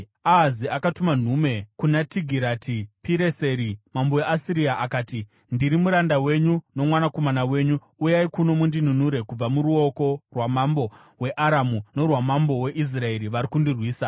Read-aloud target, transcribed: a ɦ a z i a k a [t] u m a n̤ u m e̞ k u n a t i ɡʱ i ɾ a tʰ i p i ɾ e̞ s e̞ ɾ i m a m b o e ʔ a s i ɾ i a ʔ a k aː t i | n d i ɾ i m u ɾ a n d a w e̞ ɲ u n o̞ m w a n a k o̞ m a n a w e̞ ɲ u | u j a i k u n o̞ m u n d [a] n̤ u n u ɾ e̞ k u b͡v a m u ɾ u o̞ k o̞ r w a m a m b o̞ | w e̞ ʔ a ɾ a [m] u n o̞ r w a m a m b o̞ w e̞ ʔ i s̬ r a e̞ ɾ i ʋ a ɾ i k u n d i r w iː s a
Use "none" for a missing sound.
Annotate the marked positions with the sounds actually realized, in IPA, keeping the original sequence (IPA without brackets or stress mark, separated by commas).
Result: t, i, m